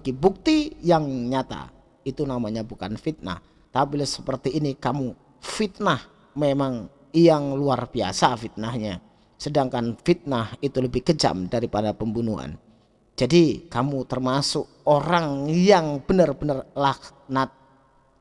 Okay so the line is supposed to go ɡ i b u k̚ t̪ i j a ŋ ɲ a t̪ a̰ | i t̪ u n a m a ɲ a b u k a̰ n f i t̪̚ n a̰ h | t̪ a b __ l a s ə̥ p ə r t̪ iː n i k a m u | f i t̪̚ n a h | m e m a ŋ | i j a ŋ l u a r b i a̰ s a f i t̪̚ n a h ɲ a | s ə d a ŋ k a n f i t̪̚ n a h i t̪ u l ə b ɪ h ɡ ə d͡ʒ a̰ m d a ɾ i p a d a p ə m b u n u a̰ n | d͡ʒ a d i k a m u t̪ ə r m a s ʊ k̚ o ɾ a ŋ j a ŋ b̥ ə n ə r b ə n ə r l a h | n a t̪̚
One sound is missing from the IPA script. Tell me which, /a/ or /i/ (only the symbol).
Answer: i